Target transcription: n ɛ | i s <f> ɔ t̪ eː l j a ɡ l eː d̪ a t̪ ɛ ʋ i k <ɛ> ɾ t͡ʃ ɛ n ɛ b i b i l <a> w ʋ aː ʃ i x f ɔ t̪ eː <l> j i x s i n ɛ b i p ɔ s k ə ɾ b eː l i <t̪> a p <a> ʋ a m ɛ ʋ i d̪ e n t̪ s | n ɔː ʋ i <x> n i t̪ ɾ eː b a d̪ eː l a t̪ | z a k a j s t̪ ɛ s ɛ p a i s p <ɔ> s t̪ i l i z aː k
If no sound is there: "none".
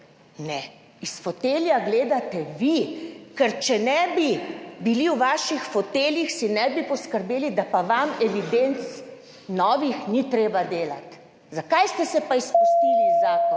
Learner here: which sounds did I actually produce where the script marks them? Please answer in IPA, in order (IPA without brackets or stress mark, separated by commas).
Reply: f, ɛ, i, l, d̪, a, x, u